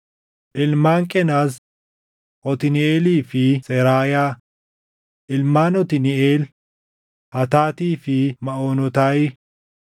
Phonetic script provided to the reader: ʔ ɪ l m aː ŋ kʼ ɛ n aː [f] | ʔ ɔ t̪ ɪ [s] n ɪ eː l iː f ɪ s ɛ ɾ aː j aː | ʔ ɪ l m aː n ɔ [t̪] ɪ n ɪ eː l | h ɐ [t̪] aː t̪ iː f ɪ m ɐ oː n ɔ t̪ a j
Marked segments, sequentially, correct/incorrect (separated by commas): incorrect, incorrect, correct, correct